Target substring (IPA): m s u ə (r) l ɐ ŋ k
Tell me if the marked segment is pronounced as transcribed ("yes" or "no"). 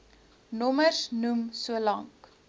no